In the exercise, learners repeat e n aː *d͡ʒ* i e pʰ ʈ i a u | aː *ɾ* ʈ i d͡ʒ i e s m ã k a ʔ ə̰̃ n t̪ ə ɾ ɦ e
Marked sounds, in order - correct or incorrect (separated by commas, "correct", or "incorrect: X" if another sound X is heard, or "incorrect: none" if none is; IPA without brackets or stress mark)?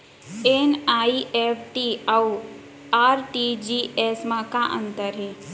incorrect: none, correct